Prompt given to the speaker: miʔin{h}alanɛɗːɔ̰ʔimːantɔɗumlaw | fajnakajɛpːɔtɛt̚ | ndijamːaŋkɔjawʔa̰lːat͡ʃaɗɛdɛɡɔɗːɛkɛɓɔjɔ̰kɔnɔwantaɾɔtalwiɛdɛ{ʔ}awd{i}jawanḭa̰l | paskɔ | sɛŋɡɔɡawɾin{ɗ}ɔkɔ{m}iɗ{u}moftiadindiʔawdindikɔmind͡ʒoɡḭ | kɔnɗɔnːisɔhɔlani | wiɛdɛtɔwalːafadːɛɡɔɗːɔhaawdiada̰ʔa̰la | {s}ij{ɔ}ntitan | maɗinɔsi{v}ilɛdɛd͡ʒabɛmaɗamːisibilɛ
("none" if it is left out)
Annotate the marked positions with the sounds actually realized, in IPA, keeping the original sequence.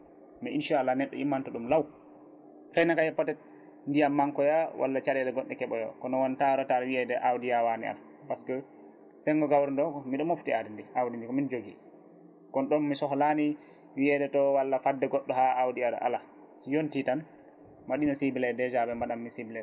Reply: ʃ, ʔ, i, d, m, ɔ, s, o, b

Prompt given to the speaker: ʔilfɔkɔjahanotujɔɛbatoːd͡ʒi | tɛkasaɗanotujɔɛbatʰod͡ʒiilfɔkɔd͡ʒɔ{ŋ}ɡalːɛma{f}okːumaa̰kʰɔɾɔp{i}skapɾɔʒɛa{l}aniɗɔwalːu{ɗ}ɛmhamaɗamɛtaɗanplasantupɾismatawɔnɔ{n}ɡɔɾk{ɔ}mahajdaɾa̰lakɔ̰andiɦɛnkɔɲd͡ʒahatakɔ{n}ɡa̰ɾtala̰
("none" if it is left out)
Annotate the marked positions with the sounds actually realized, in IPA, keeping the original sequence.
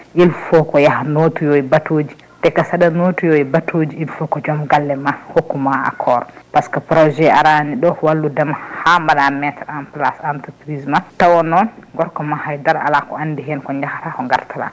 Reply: m, h, a, ɾ, d, n, ɔ, ŋ

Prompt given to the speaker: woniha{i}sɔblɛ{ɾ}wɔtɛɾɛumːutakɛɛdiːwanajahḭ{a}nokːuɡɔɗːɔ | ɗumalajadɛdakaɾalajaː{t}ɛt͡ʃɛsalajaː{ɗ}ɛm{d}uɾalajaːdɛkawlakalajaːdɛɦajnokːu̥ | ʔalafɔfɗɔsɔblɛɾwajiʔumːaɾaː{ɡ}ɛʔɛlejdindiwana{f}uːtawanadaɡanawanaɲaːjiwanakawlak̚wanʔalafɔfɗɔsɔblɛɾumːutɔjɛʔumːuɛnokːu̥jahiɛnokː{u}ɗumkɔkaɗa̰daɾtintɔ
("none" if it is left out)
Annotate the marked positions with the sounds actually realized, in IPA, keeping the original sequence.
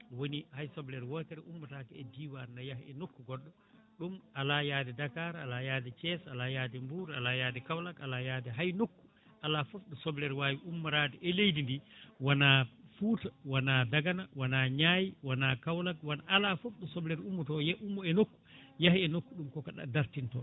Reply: j, ɾ, ɛ, d, d, b, d, f, u

